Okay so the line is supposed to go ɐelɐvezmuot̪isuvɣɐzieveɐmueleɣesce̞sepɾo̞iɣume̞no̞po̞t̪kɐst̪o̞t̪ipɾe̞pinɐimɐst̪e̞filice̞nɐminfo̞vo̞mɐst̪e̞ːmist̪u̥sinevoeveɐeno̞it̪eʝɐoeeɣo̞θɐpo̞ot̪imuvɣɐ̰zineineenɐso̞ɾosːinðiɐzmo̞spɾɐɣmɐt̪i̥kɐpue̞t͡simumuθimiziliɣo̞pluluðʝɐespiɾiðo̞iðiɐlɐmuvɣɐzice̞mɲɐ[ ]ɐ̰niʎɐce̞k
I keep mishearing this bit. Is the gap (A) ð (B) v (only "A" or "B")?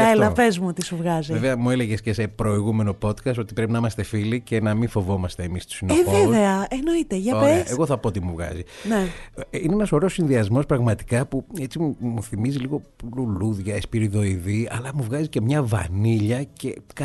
B